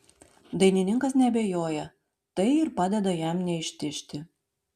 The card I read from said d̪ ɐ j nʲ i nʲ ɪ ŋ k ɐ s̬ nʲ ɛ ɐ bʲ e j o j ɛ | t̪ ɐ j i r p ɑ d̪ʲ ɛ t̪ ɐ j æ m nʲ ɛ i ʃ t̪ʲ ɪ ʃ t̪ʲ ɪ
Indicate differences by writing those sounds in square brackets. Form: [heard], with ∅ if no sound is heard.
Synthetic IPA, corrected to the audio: d̪ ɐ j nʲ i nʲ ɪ ŋ k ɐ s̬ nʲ ɛ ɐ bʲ e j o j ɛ | t̪ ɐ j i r p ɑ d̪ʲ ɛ [d̪] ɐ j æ m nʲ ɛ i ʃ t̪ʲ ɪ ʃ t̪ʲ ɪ